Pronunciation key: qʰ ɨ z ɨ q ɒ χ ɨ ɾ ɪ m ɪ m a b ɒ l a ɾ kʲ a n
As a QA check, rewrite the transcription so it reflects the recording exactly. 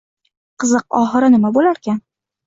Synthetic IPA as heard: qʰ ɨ z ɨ q ɒ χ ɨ ɾ ɪ n ɪ m a b o l a ɾ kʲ a n